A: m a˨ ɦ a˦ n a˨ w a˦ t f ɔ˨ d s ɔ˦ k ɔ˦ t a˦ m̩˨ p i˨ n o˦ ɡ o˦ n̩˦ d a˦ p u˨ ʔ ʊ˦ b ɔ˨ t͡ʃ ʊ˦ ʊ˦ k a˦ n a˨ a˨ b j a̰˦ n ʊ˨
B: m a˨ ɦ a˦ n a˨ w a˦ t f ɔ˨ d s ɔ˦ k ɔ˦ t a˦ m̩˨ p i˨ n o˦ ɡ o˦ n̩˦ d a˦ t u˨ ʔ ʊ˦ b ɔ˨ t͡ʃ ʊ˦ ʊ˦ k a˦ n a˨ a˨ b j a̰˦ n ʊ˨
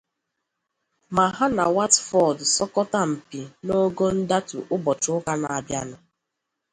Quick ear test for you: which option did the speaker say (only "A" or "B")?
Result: B